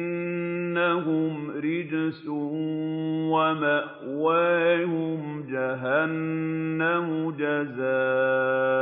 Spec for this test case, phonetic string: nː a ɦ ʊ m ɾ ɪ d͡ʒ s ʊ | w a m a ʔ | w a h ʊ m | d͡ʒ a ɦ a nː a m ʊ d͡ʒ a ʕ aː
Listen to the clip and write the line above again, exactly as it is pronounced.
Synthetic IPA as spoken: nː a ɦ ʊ m ɾ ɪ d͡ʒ s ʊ | w a m a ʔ | w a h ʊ m | d͡ʒ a ɦ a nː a m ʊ d͡ʒ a z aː